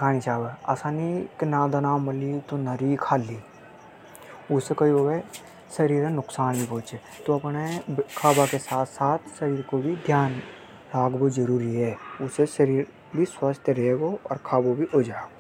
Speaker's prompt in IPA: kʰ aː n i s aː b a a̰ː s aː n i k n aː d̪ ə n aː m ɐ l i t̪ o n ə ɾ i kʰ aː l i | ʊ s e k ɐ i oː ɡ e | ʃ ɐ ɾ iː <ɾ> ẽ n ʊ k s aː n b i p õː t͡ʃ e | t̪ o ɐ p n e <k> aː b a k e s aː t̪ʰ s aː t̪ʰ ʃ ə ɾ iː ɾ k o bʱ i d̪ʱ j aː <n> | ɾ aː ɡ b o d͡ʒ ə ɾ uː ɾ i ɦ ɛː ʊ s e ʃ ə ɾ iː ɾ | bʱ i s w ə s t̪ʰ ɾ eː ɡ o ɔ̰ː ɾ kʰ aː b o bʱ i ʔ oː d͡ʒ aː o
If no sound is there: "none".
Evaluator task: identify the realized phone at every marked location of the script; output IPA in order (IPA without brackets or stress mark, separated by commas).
ɾ, kʰ, n